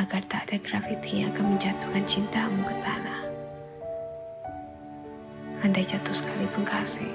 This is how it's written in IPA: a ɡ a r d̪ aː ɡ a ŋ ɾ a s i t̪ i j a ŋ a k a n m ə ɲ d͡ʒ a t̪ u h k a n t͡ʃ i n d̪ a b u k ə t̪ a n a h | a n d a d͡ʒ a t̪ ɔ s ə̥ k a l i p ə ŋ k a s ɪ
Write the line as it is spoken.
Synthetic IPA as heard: a ɡ a r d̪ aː d a ɡ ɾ a f i t̪ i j a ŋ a k a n m ə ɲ d͡ʒ a t̪ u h k a n t͡ʃ i n t̪ a m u k ə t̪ a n a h | a n d a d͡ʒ a t̪ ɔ s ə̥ k a l i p ə ŋ k a s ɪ